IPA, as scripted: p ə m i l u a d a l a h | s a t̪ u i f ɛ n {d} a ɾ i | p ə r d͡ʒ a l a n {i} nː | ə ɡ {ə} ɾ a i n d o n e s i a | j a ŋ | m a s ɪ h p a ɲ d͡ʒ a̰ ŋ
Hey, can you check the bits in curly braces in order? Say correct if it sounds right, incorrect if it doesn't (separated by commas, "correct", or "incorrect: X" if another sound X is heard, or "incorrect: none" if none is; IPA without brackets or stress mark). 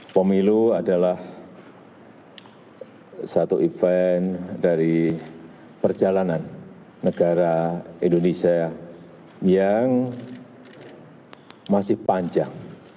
correct, incorrect: a, incorrect: a